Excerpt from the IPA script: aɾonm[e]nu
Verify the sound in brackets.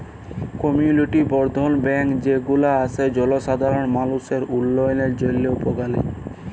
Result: incorrect: a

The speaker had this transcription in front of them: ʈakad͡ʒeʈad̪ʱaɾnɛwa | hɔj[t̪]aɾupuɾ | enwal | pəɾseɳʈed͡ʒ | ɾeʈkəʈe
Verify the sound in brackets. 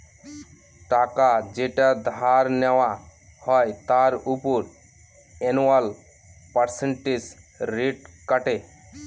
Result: correct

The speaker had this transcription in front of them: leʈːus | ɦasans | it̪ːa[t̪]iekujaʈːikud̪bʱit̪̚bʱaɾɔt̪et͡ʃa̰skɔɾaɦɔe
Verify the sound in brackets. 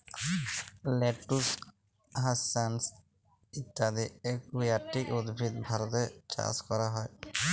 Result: incorrect: d̪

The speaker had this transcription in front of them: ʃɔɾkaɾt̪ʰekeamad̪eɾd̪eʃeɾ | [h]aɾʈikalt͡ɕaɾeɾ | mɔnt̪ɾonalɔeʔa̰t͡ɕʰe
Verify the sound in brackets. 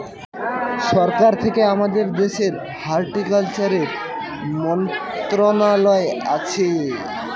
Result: correct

